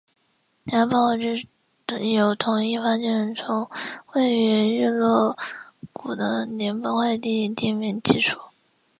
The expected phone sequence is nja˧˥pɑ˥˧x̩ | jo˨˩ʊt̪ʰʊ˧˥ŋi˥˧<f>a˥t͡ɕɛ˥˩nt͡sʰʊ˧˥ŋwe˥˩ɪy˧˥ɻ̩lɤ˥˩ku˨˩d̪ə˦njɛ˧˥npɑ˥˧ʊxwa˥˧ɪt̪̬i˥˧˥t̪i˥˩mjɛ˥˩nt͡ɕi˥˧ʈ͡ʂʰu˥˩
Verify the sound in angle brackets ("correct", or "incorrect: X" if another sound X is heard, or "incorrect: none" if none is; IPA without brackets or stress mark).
correct